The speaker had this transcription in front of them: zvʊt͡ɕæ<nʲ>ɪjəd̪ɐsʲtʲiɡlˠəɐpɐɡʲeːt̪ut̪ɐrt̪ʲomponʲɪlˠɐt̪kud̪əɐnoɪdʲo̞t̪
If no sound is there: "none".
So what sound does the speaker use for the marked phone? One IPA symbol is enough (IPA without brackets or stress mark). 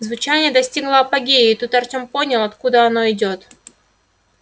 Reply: nʲ